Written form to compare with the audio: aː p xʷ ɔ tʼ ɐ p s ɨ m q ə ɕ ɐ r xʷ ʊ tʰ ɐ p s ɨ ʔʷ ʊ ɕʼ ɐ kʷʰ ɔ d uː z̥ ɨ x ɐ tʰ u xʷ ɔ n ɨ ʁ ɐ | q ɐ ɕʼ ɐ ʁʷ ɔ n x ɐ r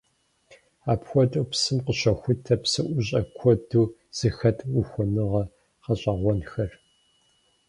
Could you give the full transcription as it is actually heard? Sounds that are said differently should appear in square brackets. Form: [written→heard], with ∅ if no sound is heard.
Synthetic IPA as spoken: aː p xʷ ɔ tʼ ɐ p s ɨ m q ə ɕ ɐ [r→∅] xʷ ʊ tʰ ɐ p s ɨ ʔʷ ʊ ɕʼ ɐ kʷʰ ɔ d uː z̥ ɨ x ɐ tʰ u xʷ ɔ n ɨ ʁ ɐ | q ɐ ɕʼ ɐ ʁʷ ɔ n x ɐ r